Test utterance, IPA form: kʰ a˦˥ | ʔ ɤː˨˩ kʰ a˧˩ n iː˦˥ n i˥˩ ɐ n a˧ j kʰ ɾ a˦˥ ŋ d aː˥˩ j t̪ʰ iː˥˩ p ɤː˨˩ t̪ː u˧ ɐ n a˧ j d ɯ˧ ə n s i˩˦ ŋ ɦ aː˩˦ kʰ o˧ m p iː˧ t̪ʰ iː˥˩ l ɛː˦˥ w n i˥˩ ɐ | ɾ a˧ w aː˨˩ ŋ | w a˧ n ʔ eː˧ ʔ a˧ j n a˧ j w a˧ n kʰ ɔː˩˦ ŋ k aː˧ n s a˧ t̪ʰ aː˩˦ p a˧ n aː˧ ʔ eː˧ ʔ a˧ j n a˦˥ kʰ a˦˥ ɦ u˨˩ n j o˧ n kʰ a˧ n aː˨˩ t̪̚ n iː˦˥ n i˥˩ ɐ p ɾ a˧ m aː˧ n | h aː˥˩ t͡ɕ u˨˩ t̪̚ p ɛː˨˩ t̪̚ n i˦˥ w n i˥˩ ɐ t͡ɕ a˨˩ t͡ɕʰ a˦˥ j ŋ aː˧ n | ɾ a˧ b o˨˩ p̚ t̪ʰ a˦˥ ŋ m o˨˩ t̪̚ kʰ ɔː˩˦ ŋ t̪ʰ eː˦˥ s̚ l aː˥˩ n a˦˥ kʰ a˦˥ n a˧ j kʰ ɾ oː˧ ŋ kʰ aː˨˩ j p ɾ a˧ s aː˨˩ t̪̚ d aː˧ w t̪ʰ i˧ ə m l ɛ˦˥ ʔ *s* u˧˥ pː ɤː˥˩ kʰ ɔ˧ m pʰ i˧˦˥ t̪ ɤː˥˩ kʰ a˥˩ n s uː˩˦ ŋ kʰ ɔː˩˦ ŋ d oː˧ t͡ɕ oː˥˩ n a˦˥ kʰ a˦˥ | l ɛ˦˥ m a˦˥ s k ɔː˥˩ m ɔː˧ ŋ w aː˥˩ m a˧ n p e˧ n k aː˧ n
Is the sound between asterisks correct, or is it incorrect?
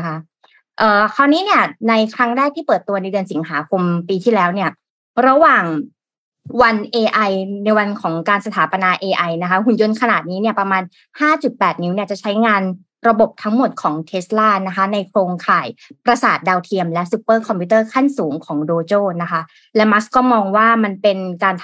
correct